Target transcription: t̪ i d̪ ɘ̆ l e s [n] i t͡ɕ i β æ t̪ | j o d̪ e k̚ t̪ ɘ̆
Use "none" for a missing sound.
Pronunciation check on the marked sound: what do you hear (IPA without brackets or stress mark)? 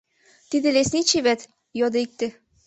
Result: n